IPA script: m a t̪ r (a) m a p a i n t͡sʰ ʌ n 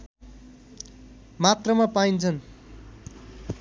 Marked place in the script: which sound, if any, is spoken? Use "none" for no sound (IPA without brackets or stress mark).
ʌ